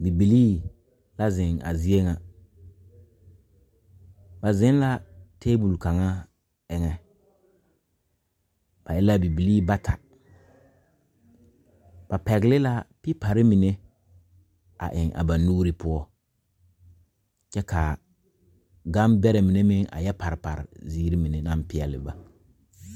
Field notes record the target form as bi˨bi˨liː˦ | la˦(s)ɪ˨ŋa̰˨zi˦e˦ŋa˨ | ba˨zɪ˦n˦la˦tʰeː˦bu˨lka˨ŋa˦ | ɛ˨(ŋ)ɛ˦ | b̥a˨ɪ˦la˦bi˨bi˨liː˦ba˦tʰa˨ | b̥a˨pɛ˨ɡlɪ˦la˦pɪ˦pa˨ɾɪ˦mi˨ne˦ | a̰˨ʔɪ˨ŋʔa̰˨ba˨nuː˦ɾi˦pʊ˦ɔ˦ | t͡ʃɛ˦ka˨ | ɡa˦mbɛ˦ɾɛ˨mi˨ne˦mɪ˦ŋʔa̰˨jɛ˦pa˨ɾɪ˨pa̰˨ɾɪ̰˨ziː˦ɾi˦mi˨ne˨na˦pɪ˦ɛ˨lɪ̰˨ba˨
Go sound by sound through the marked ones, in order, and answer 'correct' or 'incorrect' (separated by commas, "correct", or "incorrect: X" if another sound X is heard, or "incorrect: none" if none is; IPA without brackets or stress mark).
incorrect: z, correct